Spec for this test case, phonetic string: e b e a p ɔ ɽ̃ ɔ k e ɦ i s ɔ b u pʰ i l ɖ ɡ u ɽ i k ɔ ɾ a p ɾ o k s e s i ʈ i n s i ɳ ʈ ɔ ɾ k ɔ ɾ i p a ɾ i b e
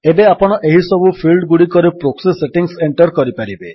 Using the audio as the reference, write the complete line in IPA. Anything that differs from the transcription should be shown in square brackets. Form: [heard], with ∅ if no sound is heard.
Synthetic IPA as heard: e b e a p ɔ ɽ̃ ɔ [ʔ] e ɦ i s ɔ b u pʰ i l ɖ ɡ u ɽ i k ɔ ɾ [e] p ɾ o k s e s [e] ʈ i [ŋ] s [e] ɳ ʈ ɔ ɾ k ɔ ɾ i p a ɾ i b e